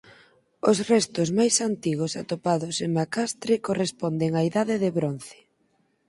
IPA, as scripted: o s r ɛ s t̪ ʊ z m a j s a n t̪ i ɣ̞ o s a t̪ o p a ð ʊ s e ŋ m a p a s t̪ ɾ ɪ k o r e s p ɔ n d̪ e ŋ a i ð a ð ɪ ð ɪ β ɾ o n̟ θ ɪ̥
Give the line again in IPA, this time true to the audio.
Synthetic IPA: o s r ɛ s t̪ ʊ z m a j s a n t̪ i ɣ̞ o s a t̪ o p a ð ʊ s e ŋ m a k a s t̪ ɾ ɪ k o r e s p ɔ n d̪ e ŋ a i ð a ð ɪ ð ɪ β ɾ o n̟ θ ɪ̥